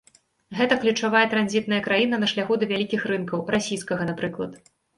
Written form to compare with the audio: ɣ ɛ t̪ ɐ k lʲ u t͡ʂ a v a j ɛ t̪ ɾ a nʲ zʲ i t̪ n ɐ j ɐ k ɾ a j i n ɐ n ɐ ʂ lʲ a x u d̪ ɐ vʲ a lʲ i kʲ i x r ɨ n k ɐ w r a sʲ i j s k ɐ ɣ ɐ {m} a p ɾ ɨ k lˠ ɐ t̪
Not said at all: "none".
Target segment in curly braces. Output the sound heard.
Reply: n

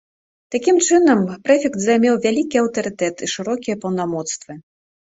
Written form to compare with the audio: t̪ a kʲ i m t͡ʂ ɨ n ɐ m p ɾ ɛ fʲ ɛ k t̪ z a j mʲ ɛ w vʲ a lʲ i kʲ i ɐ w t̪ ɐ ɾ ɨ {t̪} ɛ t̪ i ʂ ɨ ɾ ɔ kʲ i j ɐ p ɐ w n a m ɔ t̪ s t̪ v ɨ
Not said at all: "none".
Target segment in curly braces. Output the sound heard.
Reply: t̪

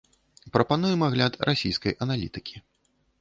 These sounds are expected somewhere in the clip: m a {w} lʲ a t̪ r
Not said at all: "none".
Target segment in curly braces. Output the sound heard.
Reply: ɣ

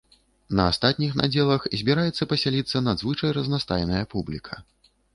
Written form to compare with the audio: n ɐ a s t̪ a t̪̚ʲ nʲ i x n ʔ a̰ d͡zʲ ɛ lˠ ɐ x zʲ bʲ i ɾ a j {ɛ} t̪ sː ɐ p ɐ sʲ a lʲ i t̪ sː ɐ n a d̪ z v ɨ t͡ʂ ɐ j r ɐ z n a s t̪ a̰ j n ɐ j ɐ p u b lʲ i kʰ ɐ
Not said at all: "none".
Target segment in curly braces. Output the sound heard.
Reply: ɛ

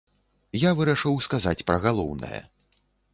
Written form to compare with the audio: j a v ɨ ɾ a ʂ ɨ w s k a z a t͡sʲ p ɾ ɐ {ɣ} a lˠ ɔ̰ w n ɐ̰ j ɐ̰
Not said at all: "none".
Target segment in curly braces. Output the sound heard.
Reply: ɣ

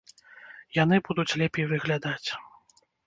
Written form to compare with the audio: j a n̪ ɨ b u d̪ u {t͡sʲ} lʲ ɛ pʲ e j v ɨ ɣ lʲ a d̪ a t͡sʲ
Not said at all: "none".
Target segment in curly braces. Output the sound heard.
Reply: t͡sʲ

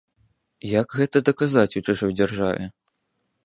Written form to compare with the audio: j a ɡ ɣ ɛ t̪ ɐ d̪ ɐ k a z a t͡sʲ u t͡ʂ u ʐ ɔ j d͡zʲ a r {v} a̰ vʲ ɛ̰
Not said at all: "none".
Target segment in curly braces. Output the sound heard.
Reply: ʐ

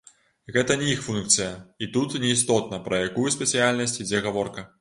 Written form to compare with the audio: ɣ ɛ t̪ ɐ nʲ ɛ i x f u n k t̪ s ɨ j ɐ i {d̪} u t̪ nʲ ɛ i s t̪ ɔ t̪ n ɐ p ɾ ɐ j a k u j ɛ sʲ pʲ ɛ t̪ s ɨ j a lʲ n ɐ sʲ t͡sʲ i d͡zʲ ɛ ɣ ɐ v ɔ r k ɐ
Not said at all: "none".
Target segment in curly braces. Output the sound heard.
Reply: t̪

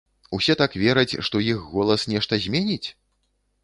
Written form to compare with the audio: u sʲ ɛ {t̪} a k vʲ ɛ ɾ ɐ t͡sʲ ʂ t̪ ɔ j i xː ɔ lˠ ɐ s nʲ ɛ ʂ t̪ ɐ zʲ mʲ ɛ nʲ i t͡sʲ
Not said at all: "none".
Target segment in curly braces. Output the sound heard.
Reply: t̪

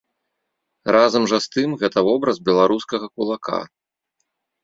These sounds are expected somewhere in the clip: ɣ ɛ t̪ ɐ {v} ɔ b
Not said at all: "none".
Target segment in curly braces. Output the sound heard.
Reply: v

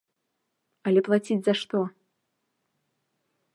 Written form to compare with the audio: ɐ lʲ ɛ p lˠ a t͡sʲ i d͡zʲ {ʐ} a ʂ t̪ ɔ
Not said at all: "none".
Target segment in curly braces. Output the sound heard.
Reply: z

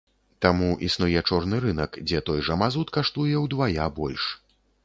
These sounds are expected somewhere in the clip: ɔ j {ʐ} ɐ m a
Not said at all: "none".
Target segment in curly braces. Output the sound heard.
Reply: ʐ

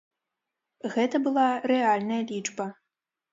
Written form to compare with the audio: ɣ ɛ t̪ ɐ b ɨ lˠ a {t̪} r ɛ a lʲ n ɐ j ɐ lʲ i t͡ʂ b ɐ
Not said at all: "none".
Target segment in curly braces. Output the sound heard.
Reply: none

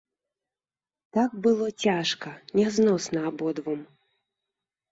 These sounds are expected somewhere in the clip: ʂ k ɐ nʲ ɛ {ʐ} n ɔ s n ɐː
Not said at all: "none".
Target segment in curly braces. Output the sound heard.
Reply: z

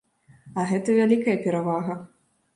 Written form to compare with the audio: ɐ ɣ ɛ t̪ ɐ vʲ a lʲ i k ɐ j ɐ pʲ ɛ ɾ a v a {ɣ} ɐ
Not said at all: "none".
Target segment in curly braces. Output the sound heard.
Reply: ɣ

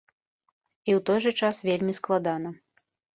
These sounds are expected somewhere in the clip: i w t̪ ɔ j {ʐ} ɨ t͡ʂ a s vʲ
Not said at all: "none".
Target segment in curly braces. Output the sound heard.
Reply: ʐ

